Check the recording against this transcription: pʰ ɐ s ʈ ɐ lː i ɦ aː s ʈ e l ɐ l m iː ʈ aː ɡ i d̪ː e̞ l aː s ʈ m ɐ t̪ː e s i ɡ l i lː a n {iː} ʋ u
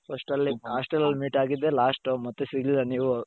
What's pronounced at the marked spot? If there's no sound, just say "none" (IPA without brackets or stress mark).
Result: iː